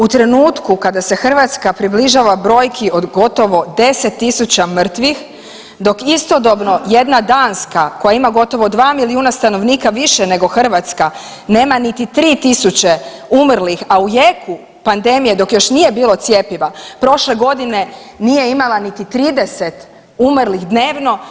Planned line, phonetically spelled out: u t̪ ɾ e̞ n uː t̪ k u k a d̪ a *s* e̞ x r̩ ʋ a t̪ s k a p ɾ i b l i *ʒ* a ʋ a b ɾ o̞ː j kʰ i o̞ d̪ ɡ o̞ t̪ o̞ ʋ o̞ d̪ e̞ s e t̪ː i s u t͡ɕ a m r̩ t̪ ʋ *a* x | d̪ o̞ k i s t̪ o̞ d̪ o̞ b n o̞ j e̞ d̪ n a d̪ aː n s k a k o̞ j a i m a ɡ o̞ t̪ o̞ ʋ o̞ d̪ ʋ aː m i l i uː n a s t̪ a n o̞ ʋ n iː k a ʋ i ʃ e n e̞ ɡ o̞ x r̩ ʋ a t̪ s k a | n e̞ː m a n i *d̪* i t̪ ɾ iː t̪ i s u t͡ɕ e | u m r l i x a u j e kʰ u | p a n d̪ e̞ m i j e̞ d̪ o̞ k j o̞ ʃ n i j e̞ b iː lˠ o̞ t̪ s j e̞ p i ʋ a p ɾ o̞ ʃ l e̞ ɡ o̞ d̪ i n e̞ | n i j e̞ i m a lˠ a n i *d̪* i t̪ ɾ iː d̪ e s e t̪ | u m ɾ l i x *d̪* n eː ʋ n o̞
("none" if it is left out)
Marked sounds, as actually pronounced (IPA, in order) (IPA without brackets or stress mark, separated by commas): s, ʒ, i, t̪, t̪, d̪